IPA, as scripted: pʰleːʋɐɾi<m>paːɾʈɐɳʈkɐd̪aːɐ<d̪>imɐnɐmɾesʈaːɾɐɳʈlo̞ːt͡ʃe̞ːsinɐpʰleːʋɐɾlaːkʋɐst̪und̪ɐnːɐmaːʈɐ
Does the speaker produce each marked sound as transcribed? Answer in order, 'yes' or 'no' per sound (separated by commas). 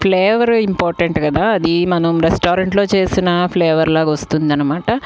yes, yes